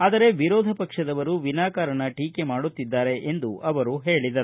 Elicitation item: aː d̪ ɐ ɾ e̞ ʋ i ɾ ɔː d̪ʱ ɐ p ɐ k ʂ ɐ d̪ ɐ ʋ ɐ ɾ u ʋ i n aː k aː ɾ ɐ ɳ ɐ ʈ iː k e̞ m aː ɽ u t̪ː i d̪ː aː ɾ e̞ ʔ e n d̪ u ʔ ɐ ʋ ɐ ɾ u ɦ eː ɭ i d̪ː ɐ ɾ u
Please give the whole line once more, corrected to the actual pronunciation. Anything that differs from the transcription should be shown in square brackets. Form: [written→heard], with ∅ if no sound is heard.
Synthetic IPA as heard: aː d̪ ɐ ɾ e̞ ʋ i ɾ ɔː d̪ʱ ɐ p ɐ k ʂ ɐ d̪ ɐ ʋ ɐ ɾ u ʋ i n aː k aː ɾ ɐ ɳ ɐ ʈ iː k e̞ m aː ɽ u t̪ː i d̪ː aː ɾ e̞ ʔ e n d̪ u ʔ ɐ ʋ ɐ ɾ u ɦ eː ɭ i [d̪ː→d̪] ɐ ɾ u